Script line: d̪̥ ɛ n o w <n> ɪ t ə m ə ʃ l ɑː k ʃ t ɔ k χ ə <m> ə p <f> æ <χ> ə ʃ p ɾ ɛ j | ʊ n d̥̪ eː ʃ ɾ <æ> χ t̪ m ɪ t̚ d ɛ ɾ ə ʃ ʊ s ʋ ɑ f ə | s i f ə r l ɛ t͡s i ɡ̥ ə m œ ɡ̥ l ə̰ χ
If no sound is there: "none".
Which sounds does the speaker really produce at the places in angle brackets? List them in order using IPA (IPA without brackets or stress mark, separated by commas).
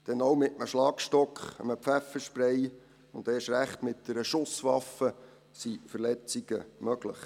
m, m, f, f, æ